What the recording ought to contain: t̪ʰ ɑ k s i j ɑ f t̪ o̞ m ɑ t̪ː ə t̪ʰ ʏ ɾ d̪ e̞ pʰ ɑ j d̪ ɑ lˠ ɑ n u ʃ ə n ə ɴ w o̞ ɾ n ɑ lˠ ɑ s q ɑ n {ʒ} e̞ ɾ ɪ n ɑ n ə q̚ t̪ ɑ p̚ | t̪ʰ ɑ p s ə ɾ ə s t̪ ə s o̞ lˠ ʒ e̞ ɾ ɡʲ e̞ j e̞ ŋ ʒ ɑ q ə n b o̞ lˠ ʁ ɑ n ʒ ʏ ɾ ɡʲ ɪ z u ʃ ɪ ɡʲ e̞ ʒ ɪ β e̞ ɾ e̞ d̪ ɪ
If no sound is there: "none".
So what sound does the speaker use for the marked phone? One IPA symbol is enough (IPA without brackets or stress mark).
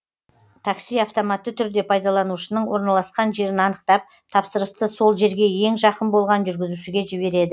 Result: ʒ